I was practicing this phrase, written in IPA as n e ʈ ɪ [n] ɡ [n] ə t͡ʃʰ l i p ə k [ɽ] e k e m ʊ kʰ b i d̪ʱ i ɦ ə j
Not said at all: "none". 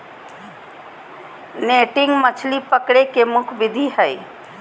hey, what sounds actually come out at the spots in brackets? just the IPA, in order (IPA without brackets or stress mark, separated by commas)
ŋ, m, ɽ